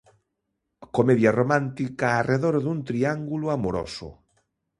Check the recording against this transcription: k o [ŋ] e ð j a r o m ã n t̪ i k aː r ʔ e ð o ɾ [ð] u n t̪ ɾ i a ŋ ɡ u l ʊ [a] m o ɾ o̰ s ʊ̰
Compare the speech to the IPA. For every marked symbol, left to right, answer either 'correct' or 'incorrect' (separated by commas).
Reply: incorrect, correct, correct